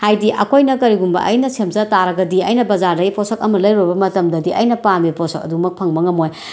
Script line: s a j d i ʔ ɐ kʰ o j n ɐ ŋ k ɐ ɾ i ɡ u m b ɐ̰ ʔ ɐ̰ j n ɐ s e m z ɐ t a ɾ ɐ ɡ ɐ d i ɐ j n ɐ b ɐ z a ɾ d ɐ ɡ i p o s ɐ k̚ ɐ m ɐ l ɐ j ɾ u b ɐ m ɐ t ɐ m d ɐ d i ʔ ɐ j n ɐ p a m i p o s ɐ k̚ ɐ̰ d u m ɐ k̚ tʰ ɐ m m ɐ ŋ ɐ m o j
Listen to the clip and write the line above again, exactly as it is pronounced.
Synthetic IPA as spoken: h a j d i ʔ ɐ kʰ o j n ɐ k ɐ ɾ i ɡ u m b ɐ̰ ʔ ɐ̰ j n ɐ s e m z ɐ t a ɾ ɐ ɡ ɐ d i ɐ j n ɐ b ɐ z a ɾ d ɐ ɡ i p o s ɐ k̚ ɐ m ɐ l ɐ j ɾ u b ɐ m ɐ t ɐ m d ɐ d i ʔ ɐ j n ɐ p a m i p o s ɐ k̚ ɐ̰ d u m ɐ k̚ pʰ ɐ ŋ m ɐ ŋ ɐ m o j